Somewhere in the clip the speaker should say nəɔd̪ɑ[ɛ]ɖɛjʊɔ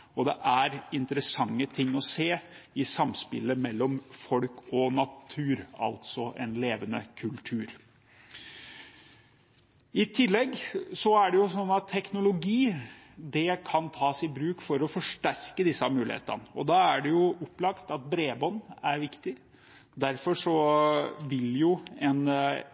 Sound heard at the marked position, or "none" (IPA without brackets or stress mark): æ